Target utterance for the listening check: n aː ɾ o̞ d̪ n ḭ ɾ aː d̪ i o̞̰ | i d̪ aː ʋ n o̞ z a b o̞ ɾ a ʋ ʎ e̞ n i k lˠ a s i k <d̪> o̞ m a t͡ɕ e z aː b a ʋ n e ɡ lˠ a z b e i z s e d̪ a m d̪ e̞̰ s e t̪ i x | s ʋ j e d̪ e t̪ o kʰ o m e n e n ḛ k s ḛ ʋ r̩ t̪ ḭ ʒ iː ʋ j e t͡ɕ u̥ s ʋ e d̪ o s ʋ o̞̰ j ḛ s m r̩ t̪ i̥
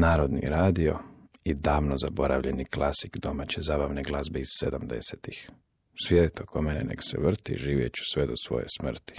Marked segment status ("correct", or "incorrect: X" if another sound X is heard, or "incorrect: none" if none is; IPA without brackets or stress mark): correct